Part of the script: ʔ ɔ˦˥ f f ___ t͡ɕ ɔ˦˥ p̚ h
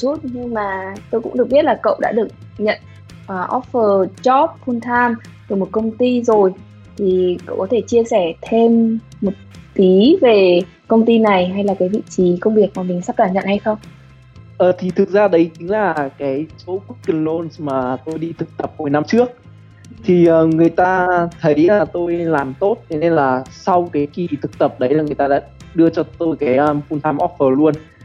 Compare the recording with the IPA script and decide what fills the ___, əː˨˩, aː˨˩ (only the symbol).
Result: əː˨˩